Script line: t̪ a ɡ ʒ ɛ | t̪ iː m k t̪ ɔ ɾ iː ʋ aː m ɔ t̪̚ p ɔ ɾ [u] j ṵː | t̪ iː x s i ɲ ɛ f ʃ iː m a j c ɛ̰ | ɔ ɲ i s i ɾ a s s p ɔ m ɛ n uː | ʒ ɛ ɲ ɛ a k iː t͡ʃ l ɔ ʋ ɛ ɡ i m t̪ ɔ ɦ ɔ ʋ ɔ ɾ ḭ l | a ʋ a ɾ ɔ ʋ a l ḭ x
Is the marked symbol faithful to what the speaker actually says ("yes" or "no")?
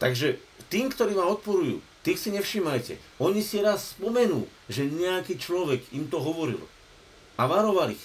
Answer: yes